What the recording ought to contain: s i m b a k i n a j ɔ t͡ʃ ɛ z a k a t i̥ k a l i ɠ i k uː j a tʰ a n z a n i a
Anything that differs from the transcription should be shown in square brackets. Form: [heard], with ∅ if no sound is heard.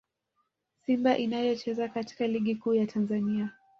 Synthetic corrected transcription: s i m b a [ʔ] i n a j ɔ t͡ʃ ɛ z a k a t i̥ k a l i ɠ i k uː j a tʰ a n z a n i a